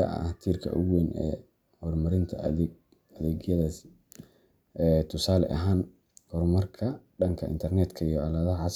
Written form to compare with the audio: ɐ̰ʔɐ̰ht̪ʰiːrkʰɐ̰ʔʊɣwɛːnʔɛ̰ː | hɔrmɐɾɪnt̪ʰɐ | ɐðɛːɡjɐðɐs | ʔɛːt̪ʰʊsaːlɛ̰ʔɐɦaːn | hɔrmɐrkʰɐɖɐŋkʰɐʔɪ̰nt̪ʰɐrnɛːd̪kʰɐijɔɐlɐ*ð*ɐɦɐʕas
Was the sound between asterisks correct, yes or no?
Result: yes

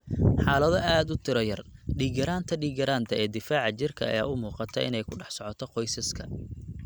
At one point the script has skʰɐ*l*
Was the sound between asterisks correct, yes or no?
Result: no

